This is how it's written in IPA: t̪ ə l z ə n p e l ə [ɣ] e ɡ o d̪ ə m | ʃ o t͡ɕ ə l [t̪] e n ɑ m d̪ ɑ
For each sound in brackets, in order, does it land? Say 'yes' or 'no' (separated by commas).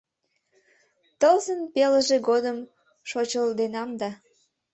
no, no